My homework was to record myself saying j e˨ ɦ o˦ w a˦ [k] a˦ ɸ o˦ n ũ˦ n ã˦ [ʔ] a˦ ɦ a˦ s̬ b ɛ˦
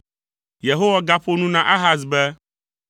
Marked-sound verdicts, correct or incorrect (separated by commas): incorrect, correct